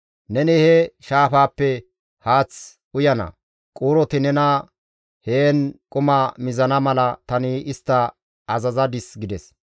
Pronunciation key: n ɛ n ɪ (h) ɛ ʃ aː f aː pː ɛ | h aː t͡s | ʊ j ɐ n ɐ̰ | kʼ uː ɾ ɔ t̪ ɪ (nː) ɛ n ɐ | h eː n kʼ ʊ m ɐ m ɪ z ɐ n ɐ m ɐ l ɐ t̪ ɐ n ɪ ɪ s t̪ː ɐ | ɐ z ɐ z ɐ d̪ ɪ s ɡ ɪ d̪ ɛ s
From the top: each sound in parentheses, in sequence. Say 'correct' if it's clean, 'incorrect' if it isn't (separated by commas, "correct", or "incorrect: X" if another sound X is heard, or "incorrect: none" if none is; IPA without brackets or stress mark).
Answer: correct, incorrect: n